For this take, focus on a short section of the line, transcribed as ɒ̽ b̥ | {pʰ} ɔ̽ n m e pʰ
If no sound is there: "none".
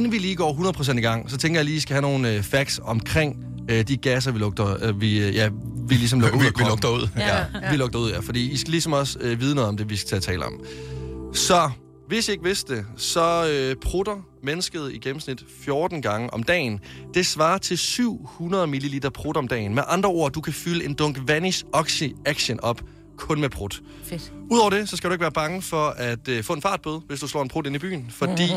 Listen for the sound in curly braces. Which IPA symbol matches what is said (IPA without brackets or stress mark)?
kʰ